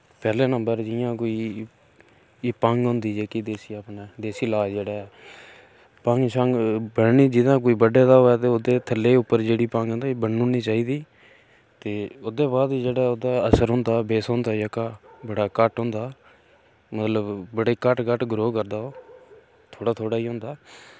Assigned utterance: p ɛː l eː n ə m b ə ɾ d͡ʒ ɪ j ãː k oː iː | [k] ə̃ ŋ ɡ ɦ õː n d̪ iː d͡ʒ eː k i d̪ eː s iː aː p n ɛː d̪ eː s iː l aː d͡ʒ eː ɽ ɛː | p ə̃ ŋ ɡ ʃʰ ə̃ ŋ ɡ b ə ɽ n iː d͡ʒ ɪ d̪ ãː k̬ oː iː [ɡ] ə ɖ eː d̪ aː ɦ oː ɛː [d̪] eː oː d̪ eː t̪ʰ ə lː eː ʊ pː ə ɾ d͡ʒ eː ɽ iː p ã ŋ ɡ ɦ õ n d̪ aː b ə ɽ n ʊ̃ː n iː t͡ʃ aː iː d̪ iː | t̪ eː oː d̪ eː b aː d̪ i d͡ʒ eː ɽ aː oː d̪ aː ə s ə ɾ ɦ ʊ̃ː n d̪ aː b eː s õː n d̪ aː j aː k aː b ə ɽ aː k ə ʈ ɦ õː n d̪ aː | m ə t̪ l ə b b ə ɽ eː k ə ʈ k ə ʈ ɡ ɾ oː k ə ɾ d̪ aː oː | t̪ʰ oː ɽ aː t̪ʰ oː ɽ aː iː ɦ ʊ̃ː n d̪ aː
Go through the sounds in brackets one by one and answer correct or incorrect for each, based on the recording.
incorrect, incorrect, incorrect

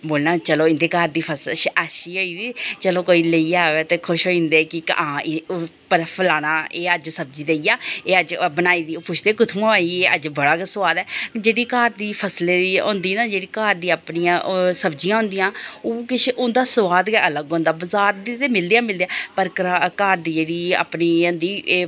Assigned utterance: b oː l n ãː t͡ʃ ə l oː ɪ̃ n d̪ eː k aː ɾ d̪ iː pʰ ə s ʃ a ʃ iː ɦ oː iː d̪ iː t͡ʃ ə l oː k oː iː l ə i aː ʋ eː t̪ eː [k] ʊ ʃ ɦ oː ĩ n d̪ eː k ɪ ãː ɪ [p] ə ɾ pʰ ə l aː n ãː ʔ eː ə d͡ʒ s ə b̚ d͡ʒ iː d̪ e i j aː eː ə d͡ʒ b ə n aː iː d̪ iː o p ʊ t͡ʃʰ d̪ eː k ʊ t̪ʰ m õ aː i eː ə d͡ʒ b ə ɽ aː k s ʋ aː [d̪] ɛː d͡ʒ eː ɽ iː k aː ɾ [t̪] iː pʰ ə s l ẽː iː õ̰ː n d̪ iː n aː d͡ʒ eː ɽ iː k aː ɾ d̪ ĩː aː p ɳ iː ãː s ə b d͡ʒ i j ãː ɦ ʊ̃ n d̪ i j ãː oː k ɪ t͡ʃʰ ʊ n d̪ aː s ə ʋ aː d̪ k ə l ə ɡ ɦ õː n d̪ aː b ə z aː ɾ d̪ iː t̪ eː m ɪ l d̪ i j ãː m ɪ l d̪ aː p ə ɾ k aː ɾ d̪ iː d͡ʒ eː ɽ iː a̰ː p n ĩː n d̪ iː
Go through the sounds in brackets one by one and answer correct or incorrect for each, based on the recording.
incorrect, correct, correct, incorrect

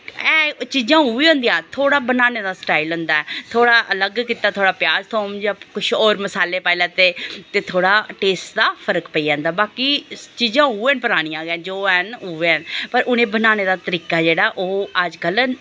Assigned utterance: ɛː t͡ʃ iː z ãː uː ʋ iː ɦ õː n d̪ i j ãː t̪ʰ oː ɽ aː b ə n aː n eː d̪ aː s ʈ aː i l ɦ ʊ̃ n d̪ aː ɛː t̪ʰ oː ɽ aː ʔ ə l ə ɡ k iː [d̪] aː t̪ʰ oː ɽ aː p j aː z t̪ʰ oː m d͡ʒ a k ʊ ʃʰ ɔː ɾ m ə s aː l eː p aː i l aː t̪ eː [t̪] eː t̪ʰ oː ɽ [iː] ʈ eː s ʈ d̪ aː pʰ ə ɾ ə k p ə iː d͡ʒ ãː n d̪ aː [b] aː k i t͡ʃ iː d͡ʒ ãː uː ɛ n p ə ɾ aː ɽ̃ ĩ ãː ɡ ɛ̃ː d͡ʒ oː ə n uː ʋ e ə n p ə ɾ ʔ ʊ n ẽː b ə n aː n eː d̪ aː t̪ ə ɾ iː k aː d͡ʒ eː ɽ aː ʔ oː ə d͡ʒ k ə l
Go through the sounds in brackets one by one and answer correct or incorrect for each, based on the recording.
incorrect, correct, incorrect, correct

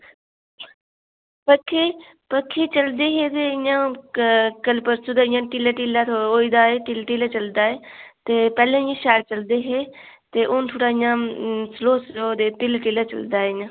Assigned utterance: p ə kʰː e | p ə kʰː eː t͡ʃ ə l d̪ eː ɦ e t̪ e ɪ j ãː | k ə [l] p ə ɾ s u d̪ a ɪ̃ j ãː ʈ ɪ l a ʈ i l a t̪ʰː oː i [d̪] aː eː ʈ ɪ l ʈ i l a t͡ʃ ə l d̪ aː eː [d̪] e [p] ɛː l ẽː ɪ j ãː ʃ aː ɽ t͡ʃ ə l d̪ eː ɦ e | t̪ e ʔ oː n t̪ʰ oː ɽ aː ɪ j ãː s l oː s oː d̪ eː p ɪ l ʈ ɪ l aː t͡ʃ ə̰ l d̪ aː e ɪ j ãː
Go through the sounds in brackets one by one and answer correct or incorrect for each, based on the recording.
correct, correct, incorrect, correct

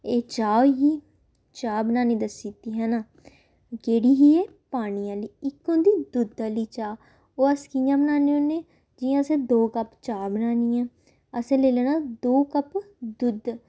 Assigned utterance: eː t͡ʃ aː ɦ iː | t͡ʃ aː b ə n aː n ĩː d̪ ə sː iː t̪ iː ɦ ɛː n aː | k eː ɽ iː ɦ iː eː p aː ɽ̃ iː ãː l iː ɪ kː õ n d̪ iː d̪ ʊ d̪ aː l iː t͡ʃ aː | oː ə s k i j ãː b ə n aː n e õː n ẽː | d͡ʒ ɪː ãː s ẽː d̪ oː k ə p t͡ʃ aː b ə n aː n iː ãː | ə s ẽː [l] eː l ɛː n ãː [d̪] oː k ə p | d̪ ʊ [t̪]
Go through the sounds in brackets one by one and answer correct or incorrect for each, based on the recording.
correct, correct, incorrect

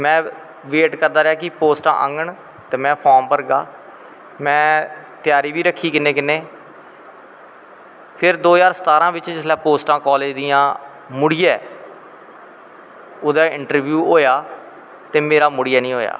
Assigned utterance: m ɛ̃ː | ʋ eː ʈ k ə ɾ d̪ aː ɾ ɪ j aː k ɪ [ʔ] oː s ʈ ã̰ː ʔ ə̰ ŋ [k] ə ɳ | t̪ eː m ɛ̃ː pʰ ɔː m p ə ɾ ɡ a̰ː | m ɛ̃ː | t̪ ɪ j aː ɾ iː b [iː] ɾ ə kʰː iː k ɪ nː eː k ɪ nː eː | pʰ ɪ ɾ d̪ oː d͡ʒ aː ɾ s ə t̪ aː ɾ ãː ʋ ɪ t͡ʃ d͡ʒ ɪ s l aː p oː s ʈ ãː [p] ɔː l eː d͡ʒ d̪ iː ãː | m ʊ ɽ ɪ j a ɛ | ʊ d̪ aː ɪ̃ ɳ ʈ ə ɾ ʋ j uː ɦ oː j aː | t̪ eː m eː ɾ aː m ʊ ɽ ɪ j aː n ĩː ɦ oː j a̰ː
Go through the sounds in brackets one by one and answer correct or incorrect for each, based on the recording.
incorrect, incorrect, correct, incorrect

